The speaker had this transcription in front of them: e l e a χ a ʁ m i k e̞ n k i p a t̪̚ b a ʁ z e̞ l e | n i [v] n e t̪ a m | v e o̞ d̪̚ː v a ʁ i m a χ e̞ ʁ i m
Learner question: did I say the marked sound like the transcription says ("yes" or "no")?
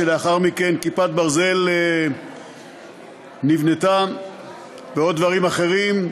yes